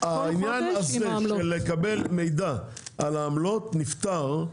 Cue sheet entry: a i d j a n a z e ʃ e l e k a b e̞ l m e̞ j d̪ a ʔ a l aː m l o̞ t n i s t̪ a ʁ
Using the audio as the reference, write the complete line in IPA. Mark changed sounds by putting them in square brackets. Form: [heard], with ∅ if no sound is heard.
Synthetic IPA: a i [n] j a n a z e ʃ e l e k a b e̞ l m e̞ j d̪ a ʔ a l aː m l o̞ t n i [f] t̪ a ʁ